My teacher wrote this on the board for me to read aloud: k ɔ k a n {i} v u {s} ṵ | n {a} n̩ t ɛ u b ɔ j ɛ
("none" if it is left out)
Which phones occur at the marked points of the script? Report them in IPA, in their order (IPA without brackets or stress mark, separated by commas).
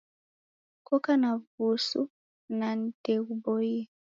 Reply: a, s, a